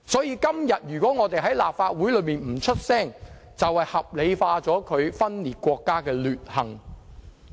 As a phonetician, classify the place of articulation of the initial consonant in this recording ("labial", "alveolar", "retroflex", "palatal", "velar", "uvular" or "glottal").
alveolar